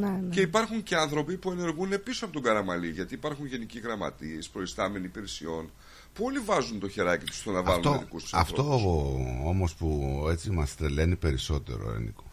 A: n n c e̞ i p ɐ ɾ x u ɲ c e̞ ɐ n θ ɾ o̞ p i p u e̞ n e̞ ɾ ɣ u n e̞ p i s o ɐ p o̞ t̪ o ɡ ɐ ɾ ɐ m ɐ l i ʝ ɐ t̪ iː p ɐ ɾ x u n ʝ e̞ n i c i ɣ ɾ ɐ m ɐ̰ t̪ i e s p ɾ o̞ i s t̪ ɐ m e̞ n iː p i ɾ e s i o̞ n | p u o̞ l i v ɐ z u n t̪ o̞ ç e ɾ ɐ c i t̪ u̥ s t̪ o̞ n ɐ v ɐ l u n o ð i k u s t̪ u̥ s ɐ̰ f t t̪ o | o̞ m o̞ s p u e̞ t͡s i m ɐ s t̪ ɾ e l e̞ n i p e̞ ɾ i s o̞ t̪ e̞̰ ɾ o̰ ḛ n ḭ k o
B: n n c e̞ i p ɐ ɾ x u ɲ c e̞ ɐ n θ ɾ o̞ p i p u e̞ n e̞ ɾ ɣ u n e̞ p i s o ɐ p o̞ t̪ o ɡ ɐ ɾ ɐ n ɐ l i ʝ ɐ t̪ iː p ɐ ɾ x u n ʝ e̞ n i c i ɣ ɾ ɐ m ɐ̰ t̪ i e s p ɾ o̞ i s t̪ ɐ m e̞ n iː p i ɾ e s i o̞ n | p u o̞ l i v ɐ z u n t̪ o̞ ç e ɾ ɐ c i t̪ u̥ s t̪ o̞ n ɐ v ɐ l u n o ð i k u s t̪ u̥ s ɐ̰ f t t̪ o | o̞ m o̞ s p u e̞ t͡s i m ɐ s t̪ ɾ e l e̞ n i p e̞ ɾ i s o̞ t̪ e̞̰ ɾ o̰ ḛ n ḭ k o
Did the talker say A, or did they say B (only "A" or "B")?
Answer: A